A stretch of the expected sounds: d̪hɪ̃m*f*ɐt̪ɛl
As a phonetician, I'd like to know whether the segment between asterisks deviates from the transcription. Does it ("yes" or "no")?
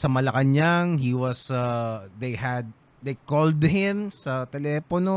yes